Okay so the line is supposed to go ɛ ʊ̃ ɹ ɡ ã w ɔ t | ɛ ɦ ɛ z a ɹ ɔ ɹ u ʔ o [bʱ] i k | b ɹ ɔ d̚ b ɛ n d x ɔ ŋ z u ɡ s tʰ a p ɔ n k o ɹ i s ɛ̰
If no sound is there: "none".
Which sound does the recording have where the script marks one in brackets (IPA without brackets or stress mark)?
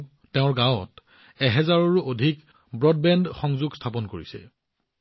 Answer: dʱ